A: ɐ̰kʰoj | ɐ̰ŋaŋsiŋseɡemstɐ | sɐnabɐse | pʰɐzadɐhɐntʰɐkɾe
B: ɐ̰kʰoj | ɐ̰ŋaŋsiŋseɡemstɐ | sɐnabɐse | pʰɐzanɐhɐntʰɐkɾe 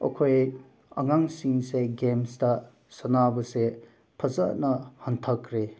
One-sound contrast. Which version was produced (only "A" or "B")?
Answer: B